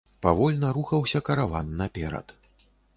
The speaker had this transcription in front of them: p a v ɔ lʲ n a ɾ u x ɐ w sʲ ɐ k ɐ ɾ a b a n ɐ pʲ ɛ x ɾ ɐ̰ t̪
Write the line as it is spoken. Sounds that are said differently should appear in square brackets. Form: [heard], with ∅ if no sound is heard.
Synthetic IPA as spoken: p a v ɔ lʲ n [ɐ] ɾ u x ɐ w sʲ ɐ k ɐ ɾ a [v] a [nː] ɐ pʲ ɛ [∅] ɾ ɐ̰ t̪

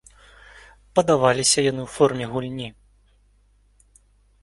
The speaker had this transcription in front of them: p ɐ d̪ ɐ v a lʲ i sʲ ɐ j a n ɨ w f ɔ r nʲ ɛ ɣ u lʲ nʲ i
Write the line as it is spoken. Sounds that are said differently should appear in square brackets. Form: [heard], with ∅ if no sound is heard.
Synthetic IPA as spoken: p ɐ d̪ [a] v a lʲ i sʲ ɐ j a n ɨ w f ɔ r [mʲ] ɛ ɣ u lʲ nʲ i

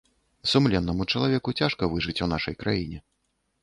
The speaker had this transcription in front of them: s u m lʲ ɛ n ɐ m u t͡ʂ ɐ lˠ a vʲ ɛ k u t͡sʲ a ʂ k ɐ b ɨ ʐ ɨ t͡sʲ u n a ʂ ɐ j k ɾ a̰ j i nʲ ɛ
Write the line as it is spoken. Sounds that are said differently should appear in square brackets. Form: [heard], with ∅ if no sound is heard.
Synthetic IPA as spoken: s u m lʲ ɛ [nː] ɐ m u t͡ʂ ɐ lˠ a vʲ ɛ k u t͡sʲ a ʂ k ɐ [v] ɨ ʐ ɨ t͡sʲ u n a ʂ ɐ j k ɾ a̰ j i nʲ ɛ

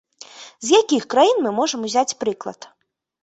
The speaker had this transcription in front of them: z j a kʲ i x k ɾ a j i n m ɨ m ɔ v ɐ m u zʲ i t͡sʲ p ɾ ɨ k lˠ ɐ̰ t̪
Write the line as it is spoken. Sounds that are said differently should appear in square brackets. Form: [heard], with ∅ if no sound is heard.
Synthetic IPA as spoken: z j a kʲ i x k ɾ a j i n m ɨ m ɔ [ʐ] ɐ m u zʲ [a] t͡sʲ p ɾ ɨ k lˠ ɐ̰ t̪

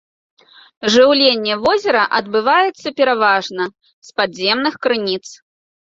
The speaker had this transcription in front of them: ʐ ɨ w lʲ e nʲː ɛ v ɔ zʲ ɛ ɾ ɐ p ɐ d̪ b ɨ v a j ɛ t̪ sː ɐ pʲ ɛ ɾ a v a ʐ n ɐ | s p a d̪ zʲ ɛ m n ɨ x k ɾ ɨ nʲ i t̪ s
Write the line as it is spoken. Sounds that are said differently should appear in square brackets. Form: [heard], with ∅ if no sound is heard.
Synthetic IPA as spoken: ʐ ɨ w lʲ e nʲː ɛ v ɔ zʲ ɛ ɾ ɐ [ʔ] ɐ d̪ b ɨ v a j ɛ t̪ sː ɐ pʲ ɛ ɾ a v a ʐ n ɐ | s p a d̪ zʲ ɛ m n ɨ x k ɾ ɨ nʲ i t̪ s

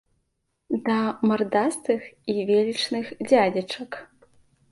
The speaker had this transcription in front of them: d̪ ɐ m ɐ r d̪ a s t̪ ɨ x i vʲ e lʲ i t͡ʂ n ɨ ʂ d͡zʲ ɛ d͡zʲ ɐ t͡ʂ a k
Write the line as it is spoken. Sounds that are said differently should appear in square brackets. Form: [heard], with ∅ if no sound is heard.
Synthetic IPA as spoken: d̪ ɐ m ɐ r d̪ a s t̪ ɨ x i vʲ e lʲ i t͡ʂ n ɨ [x] d͡zʲ [a] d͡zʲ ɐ t͡ʂ [ɐ] k

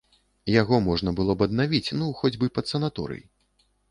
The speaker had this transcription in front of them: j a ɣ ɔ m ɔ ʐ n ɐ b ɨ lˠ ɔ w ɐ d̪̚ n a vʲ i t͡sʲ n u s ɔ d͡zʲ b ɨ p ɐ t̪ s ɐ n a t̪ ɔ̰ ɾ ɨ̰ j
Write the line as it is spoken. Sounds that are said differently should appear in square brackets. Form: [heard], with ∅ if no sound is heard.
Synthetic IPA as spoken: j a ɣ ɔ m ɔ ʐ n ɐ b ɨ lˠ ɔ [b] ɐ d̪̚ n a vʲ i t͡sʲ n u [x] ɔ d͡zʲ b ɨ p ɐ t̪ s ɐ n a t̪ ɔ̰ ɾ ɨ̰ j

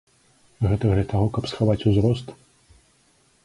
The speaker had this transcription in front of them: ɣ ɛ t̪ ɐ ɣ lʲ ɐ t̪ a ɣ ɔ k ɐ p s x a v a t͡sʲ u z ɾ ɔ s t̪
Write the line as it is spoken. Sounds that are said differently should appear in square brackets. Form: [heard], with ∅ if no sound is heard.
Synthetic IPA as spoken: ɣ ɛ t̪ ɐ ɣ lʲ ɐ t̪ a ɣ ɔ k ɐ p s x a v a t͡sʲ u z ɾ ɔ s t̪

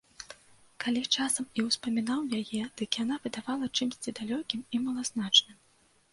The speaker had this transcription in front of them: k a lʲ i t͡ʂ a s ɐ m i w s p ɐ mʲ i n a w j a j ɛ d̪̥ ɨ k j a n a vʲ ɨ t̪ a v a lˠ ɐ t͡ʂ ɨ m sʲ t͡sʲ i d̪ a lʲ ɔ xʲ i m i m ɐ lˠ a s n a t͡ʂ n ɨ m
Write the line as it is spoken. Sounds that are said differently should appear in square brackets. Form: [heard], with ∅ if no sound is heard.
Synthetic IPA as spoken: k a lʲ i t͡ʂ a s ɐ m i w s p ɐ mʲ i n a w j a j ɛ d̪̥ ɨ k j a n a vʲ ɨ [d̪] a v a lˠ ɐ t͡ʂ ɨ m sʲ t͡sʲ i d̪ a lʲ ɔ [kʲ] i m i m ɐ lˠ a [z] n a t͡ʂ n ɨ m

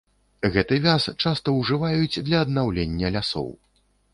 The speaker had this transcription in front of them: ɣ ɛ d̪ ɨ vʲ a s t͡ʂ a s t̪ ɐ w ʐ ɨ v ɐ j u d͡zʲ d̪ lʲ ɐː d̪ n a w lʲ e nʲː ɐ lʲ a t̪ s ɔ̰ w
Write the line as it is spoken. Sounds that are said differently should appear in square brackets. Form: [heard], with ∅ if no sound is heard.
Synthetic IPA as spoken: ɣ ɛ [t̪] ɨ vʲ a s t͡ʂ a s t̪ ɐ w ʐ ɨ v [a] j u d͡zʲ d̪ lʲ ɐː d̪ n a w lʲ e nʲː ɐ lʲ a [∅] s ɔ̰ w

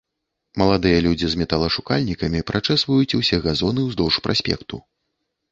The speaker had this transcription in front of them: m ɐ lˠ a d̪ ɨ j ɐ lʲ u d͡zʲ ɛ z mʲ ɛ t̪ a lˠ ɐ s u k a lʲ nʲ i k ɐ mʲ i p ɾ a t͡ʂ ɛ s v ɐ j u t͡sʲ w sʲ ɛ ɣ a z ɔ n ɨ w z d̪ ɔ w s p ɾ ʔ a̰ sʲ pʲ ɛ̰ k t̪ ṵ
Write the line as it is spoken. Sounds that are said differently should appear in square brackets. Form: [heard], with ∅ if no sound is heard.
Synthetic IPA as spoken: m ɐ lˠ a d̪ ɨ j ɐ lʲ u d͡zʲ [i] z mʲ ɛ t̪ a lˠ ɐ [ʂ] u k a lʲ nʲ i k ɐ mʲ i p ɾ a t͡ʂ ɛ s v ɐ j u t͡sʲ w sʲ ɛ ɣ a z ɔ n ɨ w z d̪ ɔ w [ʂ] p ɾ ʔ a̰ sʲ pʲ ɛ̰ k t̪ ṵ

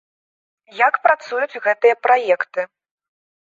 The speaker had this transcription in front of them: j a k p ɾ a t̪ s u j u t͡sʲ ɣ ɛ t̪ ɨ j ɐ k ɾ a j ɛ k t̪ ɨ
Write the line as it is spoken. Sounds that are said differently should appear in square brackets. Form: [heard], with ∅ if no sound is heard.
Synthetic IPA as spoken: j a k p ɾ a t̪ s u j u t͡sʲ ɣ ɛ t̪ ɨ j ɐ [p] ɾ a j ɛ k t̪ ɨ

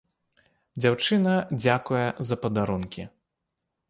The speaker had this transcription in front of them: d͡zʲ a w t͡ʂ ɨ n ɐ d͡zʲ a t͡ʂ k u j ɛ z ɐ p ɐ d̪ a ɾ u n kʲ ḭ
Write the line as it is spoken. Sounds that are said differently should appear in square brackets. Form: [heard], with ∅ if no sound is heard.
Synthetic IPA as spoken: d͡zʲ a w t͡ʂ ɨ n ɐ d͡zʲ a [∅] k u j ɛ z ɐ p ɐ d̪ a ɾ u n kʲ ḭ

